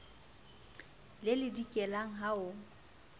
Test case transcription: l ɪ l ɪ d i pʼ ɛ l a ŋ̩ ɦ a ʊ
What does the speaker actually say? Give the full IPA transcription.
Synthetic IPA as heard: l ɪ l ɪ d i kʼ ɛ l a ŋ̩ ɦ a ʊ